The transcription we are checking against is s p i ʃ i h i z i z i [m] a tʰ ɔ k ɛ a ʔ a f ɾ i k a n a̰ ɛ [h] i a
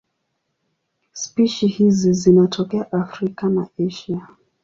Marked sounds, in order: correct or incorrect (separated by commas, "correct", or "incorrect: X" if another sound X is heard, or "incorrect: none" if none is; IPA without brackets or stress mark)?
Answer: incorrect: n, incorrect: ʃ